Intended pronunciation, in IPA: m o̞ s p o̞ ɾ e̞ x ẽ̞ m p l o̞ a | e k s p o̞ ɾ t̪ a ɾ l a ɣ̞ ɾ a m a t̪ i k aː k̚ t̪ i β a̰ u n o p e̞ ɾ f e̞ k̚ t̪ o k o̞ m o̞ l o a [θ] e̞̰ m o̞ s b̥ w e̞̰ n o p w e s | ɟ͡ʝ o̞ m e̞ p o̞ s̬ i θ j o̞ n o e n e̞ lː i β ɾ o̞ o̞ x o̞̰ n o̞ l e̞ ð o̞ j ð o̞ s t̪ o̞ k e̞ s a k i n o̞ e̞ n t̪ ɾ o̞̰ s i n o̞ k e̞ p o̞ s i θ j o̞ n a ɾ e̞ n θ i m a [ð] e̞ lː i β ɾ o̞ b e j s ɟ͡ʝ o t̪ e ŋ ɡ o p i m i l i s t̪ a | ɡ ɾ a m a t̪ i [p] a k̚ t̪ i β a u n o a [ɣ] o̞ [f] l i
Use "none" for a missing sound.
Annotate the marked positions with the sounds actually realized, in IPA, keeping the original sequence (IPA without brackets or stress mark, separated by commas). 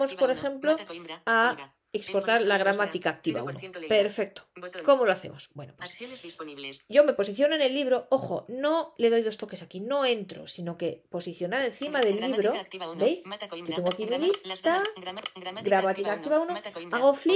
θ, ð, k, ɣ, f